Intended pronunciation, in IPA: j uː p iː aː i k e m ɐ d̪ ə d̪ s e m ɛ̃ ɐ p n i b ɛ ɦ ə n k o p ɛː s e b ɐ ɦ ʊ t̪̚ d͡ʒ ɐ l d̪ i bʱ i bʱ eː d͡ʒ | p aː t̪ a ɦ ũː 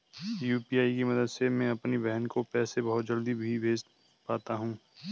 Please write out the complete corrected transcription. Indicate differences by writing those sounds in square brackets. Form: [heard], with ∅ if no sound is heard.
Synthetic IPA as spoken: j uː p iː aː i k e m ɐ d̪ ə d̪ s e m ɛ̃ ɐ p n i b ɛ ɦ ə n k o p ɛː s e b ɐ ɦ ʊ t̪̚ d͡ʒ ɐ l d̪ i bʱ i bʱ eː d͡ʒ | p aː t̪ a ɦ ũː